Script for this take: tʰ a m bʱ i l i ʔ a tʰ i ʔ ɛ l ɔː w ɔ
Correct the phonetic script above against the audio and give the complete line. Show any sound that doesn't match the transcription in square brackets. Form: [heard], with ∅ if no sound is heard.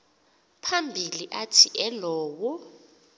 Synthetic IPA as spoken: [pʰ] a m bʱ i l i ʔ a tʰ i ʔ ɛ l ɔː w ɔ

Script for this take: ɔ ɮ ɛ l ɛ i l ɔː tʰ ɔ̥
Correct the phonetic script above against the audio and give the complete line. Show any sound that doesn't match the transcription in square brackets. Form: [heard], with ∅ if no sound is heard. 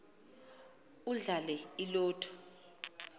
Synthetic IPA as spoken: [u] ɮ [a] l ɛ i l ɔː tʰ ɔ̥

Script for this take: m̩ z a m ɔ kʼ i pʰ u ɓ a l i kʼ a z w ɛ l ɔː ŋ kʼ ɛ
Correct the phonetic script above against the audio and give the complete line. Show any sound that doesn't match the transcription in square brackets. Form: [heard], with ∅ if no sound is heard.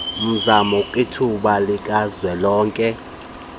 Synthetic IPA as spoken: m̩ z a m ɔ kʼ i [tʰ] u ɓ a l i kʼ a z w ɛ l ɔː ŋ kʼ ɛ

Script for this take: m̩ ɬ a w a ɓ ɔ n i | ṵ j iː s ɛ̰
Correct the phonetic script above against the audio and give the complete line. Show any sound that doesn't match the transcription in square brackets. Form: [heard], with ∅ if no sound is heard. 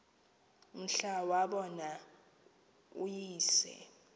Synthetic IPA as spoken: m̩ ɬ a w a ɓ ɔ n [a] | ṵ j iː s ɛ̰

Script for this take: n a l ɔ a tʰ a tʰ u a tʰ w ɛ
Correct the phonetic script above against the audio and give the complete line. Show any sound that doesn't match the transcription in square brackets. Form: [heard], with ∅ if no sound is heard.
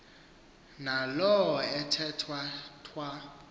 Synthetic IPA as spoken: n a l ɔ [ɛ] tʰ [ɛ] tʰ [w] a tʰ w [a]

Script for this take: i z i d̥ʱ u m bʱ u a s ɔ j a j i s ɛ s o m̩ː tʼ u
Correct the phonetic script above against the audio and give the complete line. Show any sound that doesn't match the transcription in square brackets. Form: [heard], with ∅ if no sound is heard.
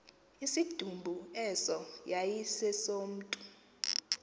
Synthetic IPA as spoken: i [s] i d̥ʱ u m bʱ u [ɛ] s ɔ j a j i s ɛ s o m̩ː tʼ u

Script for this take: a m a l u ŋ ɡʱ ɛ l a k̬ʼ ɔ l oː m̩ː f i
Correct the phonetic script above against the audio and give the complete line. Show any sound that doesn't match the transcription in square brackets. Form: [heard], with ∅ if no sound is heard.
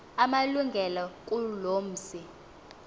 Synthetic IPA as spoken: a m a l u ŋ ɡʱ ɛ l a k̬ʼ [u] l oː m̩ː [s] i

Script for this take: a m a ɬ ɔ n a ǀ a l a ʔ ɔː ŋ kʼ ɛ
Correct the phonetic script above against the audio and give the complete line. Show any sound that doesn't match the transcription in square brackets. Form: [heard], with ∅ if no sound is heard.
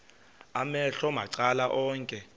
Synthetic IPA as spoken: a m [ɛ] ɬ ɔ [m] a ǀ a l a ʔ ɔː ŋ kʼ ɛ

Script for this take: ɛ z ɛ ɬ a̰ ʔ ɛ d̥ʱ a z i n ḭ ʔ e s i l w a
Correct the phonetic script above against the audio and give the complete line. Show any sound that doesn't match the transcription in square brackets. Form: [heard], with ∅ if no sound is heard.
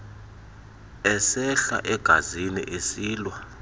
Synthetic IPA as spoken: ɛ [s] ɛ ɬ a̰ ʔ ɛ [ɡ̥ʱ] a z i n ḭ ʔ e s [iː] l w a

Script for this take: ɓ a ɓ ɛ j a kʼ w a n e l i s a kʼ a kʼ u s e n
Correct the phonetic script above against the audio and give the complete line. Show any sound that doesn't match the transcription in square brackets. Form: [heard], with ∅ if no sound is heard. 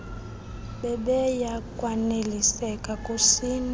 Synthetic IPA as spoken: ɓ [ɛ] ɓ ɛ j a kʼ w a n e l i s [ɛ] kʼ a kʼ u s [i] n

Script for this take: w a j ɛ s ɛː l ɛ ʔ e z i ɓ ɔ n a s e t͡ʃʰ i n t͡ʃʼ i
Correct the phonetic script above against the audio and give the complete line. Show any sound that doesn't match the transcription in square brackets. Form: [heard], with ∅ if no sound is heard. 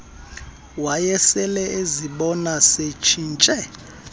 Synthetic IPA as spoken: w a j ɛ s [ɛ] l ɛ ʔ e z i ɓ ɔ n a s e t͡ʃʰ i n t͡ʃʼ [ɛ]

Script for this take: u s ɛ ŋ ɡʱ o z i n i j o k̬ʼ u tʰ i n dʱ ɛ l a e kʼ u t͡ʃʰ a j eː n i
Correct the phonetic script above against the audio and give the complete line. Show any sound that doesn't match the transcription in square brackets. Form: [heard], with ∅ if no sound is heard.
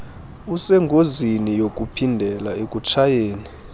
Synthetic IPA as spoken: u s ɛ ŋ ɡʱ o z i n i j o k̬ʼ u [pʰ] i n dʱ ɛ l a e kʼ u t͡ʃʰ a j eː n i

